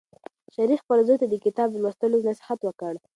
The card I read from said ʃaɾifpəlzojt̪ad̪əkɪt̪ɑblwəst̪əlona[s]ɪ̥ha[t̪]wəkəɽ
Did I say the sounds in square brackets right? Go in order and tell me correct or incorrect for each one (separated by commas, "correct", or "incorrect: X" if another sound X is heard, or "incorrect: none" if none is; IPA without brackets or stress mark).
correct, correct